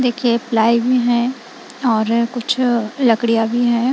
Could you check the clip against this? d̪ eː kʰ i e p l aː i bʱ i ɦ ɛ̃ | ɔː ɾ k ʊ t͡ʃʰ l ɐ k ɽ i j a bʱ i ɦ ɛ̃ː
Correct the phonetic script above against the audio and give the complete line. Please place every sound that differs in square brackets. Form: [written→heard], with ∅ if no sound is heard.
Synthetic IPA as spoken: d̪ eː kʰ i e p l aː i bʱ i ɦ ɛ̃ | ɔː ɾ k ʊ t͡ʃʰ l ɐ k ɽ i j a bʱ i ɦ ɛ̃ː